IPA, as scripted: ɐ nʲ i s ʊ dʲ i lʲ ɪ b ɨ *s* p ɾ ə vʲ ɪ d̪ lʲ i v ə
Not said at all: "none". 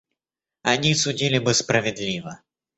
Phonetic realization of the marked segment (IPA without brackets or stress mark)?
s